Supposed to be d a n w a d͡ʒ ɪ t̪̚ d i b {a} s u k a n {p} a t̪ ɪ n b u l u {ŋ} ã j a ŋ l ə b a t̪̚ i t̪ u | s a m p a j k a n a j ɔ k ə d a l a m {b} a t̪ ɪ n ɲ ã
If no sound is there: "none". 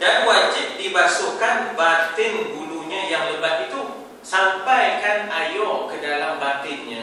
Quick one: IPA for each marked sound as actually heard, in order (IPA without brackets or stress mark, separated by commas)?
a, b, ɲ, b